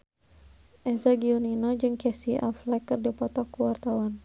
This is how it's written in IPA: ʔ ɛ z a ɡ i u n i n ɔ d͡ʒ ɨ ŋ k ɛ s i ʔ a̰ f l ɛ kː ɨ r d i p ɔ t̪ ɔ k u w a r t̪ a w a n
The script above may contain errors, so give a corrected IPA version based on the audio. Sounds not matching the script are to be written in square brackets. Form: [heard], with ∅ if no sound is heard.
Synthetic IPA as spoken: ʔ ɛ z a ɡ i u n i n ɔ d͡ʒ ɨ ŋ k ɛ s i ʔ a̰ f l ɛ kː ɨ r d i p ɔ t̪ ɔ k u w a r t̪ a w a n